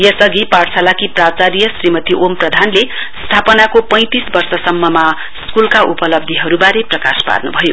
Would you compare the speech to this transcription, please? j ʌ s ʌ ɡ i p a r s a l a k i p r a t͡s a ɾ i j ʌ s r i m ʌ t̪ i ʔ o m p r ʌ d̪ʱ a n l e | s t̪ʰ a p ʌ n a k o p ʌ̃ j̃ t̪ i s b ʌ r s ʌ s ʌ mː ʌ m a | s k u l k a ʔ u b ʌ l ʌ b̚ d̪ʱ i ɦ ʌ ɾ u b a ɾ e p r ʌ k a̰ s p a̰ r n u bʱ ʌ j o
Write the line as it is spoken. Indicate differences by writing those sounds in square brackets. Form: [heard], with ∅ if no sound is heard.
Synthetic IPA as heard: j ʌ s ʌ ɡ i p a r s a l a k i p r a t͡s a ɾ i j ʌ s r i m ʌ t̪ i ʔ o m p r ʌ d̪ʱ a n l e | s t̪ʰ a p ʌ n a k o p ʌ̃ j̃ t̪ i s b ʌ r s ʌ s ʌ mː ʌ m a | s k u l k a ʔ u [p] ʌ l ʌ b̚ d̪ʱ i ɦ ʌ ɾ u b a ɾ e p r ʌ k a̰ s p a̰ r n u bʱ ʌ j o